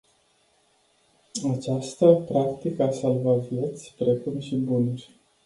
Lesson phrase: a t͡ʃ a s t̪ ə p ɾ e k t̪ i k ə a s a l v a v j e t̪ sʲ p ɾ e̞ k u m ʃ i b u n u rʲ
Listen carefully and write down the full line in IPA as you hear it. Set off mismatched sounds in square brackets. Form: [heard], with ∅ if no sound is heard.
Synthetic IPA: a t͡ʃ a s t̪ ə p ɾ [a] k t̪ i k ə a s a l v a v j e t̪ sʲ p ɾ e̞ k u m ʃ i b u n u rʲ